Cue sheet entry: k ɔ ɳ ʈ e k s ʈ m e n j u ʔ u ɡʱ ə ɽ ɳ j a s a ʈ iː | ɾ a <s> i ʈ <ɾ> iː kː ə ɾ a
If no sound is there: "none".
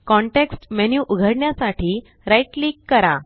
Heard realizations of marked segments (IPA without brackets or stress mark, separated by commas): none, l